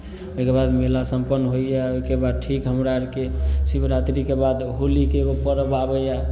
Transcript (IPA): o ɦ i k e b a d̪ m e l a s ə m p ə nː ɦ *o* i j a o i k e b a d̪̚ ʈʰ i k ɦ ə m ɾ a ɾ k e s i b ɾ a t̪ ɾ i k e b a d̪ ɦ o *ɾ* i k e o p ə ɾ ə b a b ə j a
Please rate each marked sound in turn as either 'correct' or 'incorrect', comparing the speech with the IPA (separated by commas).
correct, incorrect